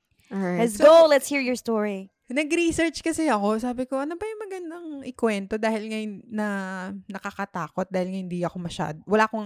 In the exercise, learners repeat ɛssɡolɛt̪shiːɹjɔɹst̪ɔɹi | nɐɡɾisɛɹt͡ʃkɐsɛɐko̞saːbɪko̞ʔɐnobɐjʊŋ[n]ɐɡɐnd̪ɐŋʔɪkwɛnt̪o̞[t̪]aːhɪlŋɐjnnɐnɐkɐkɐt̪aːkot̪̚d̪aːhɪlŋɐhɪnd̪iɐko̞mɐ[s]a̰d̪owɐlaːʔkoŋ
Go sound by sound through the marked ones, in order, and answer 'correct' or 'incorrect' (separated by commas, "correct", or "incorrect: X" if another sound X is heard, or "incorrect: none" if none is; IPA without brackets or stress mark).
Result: incorrect: m, incorrect: d̪, incorrect: ʃ